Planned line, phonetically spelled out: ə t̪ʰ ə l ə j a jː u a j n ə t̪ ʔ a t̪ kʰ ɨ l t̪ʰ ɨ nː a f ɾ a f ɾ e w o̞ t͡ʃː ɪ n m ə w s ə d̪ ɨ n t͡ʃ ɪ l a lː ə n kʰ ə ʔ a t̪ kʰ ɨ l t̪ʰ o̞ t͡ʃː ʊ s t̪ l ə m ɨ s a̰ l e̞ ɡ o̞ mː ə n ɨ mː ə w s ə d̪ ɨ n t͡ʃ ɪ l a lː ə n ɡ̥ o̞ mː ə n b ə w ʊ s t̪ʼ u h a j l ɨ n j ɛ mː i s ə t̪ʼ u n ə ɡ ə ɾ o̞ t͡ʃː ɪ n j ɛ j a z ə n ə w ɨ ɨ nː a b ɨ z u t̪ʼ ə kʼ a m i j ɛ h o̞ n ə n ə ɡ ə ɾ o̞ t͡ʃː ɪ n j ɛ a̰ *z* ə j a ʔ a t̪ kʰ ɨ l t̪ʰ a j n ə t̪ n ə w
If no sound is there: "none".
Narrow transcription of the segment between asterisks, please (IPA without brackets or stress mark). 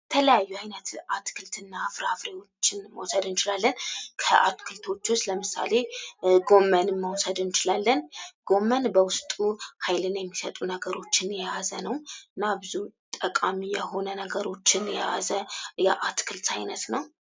z